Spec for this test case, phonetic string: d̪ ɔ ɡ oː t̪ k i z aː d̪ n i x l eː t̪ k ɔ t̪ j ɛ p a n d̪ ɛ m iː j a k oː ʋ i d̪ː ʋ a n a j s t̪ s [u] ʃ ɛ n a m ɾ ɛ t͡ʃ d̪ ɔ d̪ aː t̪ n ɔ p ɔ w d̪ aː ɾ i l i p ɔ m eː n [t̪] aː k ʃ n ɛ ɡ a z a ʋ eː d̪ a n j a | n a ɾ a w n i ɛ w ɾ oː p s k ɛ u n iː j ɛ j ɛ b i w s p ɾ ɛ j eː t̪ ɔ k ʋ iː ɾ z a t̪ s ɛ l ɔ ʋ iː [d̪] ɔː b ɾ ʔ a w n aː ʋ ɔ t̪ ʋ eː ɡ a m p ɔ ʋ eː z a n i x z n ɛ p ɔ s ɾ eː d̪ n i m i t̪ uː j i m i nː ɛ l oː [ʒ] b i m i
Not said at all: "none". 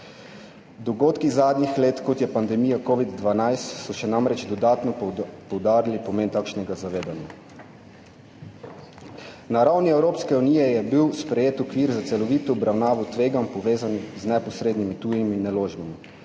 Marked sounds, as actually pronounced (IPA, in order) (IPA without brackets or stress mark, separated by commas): ɔ, t̪, t̪, ʒ